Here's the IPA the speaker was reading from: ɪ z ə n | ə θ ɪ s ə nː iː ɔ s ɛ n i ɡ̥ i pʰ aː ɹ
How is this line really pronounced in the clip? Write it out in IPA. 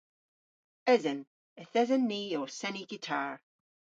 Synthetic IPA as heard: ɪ z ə n | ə θ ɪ z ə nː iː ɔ s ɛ n i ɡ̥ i tʰ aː ɹ